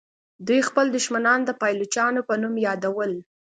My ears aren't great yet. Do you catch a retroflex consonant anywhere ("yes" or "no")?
no